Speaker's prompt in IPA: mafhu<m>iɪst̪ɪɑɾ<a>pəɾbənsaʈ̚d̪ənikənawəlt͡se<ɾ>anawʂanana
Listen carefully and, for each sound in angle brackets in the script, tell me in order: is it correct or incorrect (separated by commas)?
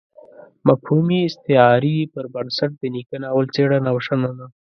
correct, incorrect, incorrect